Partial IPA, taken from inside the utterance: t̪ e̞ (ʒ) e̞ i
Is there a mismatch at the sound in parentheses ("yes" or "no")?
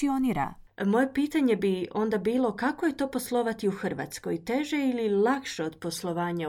no